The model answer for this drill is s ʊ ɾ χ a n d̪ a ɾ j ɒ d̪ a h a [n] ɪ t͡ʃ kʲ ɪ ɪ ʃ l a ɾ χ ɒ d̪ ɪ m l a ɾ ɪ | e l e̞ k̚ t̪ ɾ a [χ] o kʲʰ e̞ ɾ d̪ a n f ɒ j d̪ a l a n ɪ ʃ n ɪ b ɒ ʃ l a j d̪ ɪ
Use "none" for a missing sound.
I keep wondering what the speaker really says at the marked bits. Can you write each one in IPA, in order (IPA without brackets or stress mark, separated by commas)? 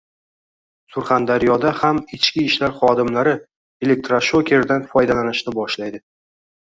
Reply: m, ʃ